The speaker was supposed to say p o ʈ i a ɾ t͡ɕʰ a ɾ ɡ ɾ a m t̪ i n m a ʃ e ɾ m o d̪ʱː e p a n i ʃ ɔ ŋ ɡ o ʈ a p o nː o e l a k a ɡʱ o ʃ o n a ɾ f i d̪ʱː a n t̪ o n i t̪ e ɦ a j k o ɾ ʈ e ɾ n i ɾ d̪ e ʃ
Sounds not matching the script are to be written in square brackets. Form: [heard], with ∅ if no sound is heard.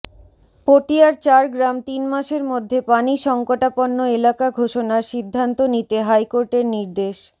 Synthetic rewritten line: p o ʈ i a ɾ [t͡ɕ] a ɾ ɡ ɾ a m t̪ i n m a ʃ e ɾ m o d̪ʱː e p a n i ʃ ɔ ŋ [k] o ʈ a p o nː o e l a k a ɡʱ o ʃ o n a ɾ [ʃ] i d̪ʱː a n t̪ o n i t̪ e ɦ a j k o ɾ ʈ e ɾ n i ɾ d̪ e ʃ